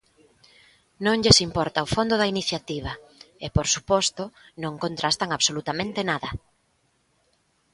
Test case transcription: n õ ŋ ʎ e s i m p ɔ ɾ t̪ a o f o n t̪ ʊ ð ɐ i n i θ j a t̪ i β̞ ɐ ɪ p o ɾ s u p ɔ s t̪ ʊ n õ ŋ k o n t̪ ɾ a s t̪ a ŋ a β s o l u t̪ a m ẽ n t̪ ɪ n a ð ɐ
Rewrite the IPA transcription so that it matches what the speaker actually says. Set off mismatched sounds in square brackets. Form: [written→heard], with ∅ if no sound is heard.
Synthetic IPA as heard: n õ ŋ ʎ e s i m p ɔ ɾ t̪ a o f o n [t̪→d̪] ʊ ð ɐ i n i θ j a t̪ i β̞ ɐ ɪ p o ɾ s u p ɔ s t̪ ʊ n õ ŋ k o n t̪ ɾ a s t̪ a ŋ a β s o l u t̪ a m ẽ n t̪ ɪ n a ð ɐ